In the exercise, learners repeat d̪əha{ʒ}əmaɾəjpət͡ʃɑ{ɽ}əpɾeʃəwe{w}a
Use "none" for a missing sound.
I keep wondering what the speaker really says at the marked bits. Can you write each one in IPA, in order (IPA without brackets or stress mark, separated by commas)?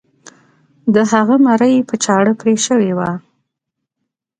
ɣ, ɽ, w